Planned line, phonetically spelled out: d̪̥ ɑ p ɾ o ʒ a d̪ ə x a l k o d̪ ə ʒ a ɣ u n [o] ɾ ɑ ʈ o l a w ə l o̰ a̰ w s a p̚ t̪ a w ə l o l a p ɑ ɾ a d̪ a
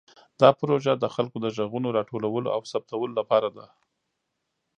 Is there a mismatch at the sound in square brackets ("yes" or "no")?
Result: no